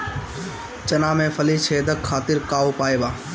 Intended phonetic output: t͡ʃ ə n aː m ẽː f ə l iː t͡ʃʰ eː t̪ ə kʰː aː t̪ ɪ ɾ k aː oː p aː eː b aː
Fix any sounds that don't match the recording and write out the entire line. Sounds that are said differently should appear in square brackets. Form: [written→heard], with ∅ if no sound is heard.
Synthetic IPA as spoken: t͡ʃ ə n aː m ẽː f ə l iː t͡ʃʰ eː [t̪→d̪] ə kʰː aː t̪ ɪ ɾ k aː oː p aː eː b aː